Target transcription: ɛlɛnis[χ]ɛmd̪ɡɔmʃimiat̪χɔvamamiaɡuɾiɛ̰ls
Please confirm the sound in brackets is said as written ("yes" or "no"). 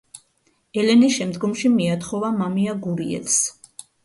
no